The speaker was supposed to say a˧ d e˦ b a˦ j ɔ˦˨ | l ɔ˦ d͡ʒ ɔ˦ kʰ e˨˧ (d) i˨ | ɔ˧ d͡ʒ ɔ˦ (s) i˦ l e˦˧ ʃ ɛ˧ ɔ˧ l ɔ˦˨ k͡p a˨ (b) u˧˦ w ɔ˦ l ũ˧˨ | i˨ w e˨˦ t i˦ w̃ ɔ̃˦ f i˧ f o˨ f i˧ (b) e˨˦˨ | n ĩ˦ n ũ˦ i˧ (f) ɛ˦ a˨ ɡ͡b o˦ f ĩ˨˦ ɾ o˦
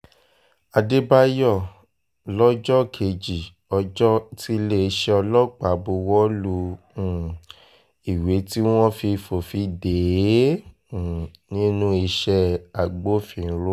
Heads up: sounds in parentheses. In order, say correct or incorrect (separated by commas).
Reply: incorrect, incorrect, correct, incorrect, incorrect